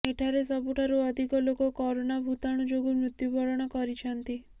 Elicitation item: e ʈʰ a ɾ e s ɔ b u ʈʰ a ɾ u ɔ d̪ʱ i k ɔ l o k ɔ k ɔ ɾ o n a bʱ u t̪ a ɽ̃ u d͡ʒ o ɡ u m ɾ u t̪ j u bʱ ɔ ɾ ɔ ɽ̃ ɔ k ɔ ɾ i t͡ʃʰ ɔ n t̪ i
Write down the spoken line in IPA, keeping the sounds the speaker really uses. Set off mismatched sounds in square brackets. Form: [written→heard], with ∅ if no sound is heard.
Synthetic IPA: e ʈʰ a ɾ e s ɔ b u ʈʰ a ɾ u ɔ d̪ʱ i k ɔ l o k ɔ k ɔ ɾ o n a bʱ u t̪ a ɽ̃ u d͡ʒ o ɡ u m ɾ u t̪ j u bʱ ɔ ɾ ɔ ɽ̃ ɔ k ɔ ɾ i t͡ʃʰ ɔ n t̪ i